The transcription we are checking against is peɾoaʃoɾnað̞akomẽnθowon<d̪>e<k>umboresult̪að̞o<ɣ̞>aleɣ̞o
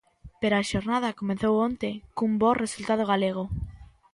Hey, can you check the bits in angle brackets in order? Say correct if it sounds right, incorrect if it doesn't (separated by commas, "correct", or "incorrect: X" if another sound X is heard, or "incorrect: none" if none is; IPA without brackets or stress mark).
incorrect: t̪, correct, correct